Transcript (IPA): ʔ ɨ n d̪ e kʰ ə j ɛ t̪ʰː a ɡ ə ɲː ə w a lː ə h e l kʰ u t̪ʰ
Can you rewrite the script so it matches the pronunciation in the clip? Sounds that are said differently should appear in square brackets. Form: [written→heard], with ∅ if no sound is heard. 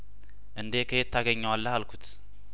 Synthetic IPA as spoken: ʔ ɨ n d̪ e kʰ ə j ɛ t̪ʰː a ɡ ə ɲː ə w a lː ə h [e→a] l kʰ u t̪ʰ